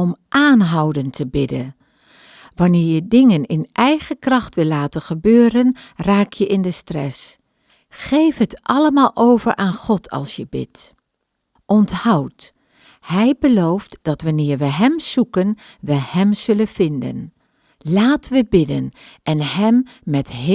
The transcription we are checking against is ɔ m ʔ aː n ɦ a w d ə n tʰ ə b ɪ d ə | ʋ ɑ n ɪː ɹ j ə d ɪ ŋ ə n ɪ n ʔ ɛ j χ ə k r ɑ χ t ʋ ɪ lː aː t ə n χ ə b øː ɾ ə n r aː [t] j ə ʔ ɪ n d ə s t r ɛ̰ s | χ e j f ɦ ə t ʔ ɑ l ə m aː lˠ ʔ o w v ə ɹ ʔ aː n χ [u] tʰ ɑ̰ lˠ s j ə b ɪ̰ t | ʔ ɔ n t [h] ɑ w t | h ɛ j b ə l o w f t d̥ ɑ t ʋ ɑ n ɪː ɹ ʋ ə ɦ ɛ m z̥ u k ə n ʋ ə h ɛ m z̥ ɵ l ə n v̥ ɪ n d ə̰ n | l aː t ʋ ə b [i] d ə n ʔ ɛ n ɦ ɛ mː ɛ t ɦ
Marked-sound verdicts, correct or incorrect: incorrect: k, incorrect: ɔ, correct, incorrect: ɪ

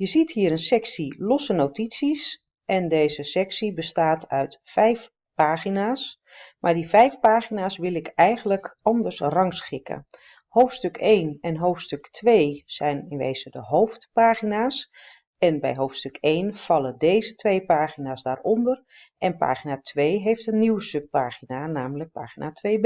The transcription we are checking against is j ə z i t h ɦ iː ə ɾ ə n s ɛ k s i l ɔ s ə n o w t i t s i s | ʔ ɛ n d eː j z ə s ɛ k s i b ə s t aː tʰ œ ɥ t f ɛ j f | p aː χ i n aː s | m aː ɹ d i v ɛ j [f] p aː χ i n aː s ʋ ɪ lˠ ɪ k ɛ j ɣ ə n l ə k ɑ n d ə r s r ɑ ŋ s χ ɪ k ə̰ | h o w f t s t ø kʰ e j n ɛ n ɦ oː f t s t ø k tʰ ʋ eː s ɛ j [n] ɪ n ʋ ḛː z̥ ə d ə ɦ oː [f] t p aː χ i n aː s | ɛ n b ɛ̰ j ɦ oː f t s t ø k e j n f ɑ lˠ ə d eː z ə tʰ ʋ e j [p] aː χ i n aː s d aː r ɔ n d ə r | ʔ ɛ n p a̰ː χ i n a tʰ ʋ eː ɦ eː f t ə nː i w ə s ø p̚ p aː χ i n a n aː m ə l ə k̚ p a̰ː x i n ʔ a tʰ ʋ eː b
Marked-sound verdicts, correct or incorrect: correct, correct, correct, correct

